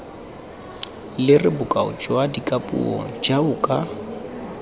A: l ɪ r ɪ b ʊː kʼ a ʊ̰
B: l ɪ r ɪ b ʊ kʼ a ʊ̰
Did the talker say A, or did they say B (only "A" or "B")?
B